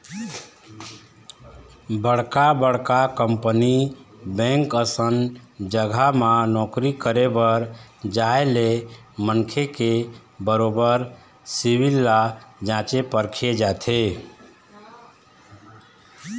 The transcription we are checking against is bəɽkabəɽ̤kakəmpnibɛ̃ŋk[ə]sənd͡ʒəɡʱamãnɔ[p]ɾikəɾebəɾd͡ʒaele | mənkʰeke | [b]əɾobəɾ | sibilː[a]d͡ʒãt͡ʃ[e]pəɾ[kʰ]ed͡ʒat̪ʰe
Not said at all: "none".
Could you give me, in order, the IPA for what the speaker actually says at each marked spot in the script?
ə, k, b, a, e, kʰ

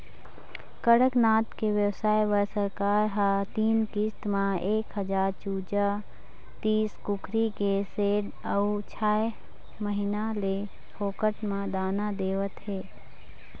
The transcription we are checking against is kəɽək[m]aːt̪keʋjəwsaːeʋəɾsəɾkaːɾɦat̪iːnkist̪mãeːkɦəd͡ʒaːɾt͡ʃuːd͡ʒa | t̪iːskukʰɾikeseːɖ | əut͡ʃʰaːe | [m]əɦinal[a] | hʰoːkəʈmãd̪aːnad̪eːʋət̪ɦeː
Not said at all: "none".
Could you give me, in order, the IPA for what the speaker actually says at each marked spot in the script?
n, m, e

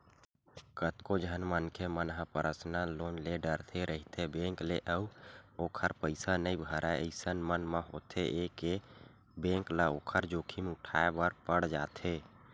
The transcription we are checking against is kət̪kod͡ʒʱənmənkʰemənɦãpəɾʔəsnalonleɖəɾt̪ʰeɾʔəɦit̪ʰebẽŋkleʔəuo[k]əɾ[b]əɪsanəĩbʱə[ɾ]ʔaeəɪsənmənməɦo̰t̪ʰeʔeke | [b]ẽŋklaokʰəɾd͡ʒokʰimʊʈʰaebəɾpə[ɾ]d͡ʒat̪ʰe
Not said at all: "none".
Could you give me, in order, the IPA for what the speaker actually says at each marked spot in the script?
kʰ, p, ɾ, b, ɽ

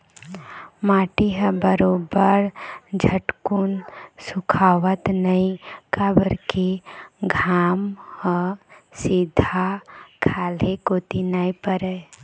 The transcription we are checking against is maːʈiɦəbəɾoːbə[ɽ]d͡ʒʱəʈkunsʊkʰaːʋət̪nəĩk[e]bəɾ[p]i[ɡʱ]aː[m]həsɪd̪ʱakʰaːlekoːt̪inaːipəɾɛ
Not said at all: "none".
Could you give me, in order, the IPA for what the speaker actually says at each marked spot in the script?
ɾ, a, k, ɡʱ, m

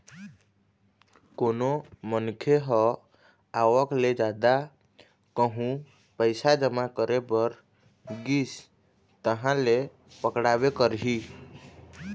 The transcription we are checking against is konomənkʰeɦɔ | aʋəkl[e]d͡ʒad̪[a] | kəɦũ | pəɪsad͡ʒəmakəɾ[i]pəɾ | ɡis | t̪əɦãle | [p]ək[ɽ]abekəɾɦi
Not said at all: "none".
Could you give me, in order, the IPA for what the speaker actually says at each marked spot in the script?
e, a, e, p, ɽ

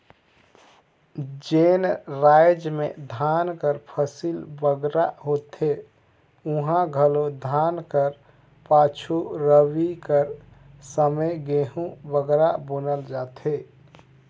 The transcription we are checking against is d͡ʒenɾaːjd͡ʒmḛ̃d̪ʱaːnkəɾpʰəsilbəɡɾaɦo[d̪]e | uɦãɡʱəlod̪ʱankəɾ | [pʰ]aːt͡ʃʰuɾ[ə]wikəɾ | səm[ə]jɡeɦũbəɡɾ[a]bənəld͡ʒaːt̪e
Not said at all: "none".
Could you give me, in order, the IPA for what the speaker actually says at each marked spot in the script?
t̪, p, ə, ə, a

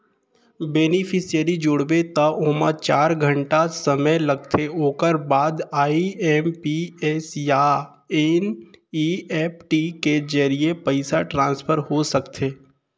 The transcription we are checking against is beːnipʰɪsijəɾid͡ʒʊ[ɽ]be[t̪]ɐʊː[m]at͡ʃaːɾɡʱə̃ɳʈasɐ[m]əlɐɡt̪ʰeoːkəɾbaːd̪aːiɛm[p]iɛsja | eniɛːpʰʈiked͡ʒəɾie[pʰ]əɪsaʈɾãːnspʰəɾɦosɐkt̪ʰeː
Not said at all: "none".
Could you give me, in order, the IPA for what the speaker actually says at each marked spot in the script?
ɽ, t̪, m, m, p, p

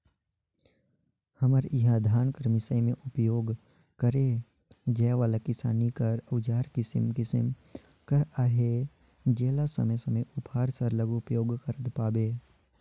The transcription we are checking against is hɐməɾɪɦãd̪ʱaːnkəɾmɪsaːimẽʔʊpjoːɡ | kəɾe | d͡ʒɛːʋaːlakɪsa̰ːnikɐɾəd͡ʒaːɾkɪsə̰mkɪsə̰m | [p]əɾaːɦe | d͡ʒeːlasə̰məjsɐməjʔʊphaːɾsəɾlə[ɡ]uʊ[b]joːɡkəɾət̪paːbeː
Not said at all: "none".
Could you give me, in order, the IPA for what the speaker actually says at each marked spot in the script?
k, ɡ, p

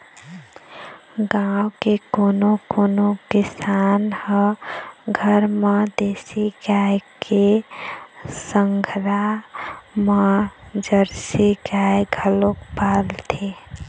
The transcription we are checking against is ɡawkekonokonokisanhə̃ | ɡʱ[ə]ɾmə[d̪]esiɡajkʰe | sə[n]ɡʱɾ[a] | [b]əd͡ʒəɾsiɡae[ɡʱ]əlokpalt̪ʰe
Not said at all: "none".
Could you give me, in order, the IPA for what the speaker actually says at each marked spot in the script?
ə, d̪, ŋ, a, m, ɡʱ

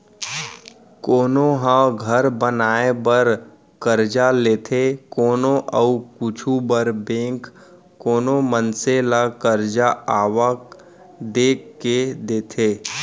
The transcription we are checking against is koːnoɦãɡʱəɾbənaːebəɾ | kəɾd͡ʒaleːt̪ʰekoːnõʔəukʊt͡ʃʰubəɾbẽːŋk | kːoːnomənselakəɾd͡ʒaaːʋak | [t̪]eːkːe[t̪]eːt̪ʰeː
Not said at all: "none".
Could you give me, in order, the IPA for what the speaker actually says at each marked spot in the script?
d̪, d̪

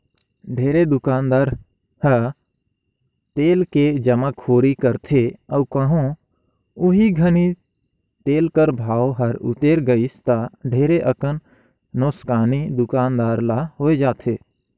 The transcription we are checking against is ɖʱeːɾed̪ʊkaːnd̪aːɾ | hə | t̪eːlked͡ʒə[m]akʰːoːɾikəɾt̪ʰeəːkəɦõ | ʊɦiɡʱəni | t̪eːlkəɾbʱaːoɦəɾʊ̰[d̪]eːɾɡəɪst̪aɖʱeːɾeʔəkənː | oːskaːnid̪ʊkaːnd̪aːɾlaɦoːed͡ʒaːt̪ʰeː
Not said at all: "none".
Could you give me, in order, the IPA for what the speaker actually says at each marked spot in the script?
m, t̪

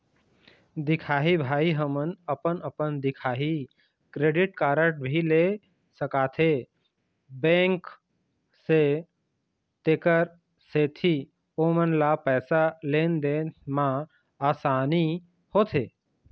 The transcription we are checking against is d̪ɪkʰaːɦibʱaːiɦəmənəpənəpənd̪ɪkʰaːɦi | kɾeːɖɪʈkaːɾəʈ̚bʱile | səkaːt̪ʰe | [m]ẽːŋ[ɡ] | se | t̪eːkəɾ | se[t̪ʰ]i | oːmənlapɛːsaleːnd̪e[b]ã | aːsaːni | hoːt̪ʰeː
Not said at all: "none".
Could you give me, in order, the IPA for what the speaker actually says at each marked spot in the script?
b, k, t̪ʰ, m

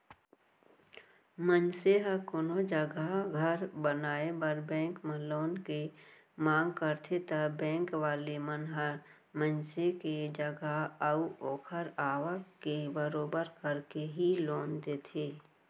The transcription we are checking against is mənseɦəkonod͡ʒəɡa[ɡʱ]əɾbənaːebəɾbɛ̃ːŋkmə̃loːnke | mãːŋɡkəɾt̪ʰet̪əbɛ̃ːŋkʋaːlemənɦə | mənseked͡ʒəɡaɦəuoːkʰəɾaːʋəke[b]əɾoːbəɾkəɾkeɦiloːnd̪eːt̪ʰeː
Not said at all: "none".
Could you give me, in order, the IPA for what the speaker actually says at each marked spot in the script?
ɡʱ, b

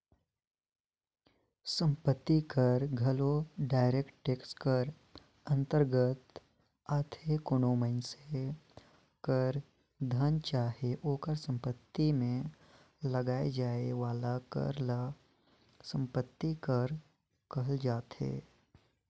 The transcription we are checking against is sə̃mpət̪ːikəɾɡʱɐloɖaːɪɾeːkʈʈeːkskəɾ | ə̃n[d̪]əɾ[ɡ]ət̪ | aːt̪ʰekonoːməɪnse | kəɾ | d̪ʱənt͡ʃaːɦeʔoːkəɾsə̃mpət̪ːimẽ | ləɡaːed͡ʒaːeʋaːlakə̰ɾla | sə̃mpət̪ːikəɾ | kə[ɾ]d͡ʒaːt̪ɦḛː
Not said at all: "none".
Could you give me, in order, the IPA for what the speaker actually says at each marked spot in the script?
t̪, ɡ, l

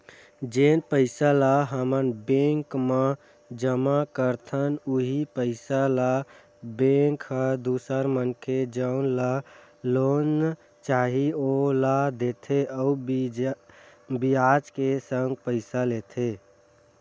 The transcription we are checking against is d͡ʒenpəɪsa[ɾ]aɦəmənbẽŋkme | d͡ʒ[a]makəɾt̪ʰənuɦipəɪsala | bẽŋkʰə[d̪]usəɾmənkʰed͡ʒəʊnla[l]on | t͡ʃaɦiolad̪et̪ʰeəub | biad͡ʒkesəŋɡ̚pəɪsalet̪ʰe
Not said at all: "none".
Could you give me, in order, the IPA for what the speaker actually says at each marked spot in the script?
l, ə, d̪, l

